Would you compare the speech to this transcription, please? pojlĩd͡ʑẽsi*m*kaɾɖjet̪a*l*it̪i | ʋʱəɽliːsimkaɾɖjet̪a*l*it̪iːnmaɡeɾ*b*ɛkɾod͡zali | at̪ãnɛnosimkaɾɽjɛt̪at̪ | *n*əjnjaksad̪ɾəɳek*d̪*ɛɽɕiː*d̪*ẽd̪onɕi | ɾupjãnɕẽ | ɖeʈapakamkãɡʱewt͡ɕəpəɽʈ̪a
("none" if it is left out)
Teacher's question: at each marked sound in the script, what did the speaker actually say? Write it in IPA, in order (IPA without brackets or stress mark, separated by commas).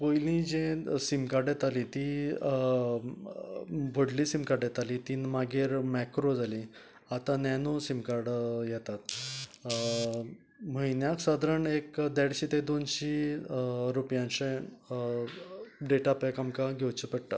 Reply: m, l, l, m, m, d̪, t̪